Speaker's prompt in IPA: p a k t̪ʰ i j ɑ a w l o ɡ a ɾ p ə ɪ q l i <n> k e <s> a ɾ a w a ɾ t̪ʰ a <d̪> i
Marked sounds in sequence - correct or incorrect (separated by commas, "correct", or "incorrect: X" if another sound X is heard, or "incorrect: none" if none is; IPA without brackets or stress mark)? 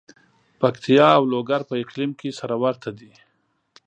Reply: incorrect: m, correct, correct